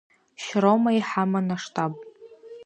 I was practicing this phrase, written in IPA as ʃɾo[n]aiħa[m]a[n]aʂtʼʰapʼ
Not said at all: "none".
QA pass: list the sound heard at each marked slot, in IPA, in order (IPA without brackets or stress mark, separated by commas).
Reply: m, m, n